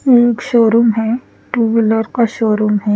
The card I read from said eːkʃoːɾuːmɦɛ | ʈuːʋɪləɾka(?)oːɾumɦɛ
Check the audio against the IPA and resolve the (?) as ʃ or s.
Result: ʃ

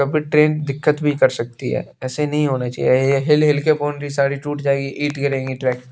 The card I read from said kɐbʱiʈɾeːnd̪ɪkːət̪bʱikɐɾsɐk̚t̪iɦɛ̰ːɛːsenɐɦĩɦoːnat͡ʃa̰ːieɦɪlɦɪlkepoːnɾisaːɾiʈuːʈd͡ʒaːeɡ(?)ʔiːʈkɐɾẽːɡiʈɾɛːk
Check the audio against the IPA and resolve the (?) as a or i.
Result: i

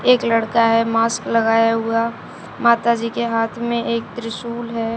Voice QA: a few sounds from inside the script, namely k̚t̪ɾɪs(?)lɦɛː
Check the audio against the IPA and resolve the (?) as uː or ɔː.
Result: uː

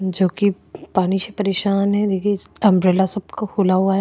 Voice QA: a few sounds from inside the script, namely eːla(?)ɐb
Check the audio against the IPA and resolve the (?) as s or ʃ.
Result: s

